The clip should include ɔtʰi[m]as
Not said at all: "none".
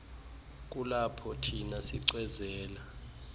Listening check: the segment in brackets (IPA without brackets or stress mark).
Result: n